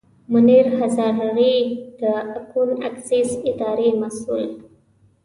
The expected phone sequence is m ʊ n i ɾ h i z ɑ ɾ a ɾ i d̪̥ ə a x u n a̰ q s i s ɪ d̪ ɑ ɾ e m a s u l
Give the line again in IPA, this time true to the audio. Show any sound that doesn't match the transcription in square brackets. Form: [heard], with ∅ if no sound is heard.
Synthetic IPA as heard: m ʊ n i ɾ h [a] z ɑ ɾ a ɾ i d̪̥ ə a [k] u n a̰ [k] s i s ɪ d̪ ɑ ɾ e m a s u l